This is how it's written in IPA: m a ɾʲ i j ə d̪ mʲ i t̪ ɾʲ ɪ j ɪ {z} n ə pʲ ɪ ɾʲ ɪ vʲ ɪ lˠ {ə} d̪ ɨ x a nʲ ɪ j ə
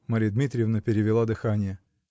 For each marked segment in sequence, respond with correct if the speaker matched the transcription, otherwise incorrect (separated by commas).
incorrect, incorrect